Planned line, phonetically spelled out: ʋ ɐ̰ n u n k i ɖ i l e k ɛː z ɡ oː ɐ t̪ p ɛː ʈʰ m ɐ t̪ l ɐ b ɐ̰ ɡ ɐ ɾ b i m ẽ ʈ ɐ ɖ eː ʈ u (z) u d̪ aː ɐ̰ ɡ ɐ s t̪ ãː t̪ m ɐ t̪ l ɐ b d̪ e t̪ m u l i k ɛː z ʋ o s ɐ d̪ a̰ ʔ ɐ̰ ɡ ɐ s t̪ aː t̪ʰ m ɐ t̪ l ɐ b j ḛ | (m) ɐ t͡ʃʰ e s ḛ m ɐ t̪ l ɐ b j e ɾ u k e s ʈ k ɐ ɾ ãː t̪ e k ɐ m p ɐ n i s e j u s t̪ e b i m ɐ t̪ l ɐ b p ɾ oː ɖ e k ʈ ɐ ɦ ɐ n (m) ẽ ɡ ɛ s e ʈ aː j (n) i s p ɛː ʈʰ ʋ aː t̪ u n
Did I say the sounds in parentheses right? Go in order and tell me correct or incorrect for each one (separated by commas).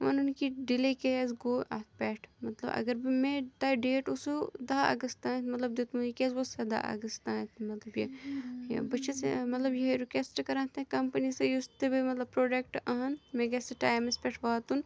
incorrect, incorrect, correct, incorrect